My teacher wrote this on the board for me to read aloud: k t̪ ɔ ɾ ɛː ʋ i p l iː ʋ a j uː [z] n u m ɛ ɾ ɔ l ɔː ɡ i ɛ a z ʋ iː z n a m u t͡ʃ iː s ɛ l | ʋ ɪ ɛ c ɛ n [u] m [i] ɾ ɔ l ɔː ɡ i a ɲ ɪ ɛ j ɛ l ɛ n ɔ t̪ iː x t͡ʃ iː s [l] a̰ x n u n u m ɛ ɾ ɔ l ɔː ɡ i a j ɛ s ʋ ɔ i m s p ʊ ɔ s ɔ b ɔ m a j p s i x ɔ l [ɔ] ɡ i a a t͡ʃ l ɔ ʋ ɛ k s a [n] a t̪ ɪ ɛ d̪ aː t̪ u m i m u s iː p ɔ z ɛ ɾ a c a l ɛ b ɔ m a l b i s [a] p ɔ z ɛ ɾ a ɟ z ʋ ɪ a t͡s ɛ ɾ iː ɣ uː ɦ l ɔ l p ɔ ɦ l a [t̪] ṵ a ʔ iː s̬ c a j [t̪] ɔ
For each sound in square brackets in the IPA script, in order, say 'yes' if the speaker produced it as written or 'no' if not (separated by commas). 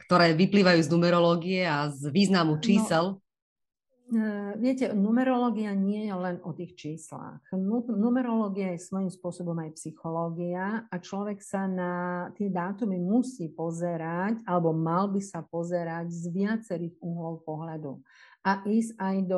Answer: yes, yes, no, yes, no, yes, yes, no, no